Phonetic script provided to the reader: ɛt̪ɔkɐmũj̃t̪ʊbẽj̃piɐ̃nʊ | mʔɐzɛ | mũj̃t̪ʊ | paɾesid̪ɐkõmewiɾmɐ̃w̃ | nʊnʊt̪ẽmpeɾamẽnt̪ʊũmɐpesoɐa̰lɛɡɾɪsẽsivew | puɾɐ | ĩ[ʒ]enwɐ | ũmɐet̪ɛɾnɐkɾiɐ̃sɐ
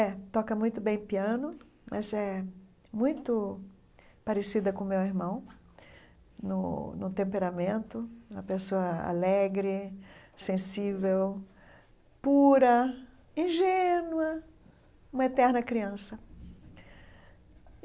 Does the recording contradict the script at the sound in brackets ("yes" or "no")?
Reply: no